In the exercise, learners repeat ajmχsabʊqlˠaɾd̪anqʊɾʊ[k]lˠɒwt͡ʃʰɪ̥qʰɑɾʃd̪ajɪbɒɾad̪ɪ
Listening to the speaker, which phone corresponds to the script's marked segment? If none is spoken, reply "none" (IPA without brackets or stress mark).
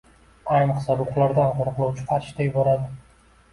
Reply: q